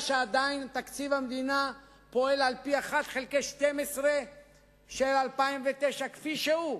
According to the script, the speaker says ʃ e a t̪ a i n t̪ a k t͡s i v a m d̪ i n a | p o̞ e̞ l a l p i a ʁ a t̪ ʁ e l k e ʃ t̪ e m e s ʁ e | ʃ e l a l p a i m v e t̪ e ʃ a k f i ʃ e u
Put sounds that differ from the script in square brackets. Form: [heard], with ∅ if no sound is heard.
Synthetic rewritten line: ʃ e a [d̪] a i n t̪ a k t͡s i v a m d̪ i n a | p o̞ e̞ l a l p i a [χ] a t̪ [χ] e l k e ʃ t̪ e m e s ʁ e | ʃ e l a l p a i m v e t̪ e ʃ a k f i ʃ e u